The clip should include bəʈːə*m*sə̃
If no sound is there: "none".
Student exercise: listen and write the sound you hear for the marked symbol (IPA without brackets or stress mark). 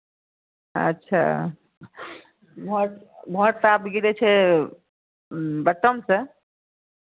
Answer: m